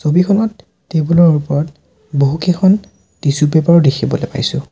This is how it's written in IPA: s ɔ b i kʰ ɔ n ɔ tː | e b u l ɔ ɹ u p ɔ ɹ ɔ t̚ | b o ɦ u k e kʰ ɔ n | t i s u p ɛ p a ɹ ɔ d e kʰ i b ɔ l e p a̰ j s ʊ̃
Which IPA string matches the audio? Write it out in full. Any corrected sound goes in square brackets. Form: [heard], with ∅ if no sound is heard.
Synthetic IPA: s [o] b i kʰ ɔ n ɔ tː | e b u l ɔ ɹ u p ɔ ɹ ɔ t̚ | b o ɦ u k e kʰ ɔ n | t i s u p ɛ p a ɹ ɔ d e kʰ i b ɔ l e p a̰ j s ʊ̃